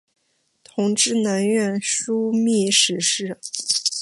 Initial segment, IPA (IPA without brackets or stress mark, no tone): t̪ʰ